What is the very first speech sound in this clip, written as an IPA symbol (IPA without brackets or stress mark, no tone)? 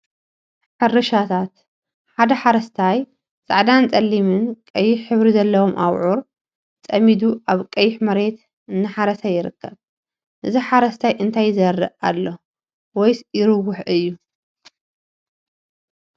ħ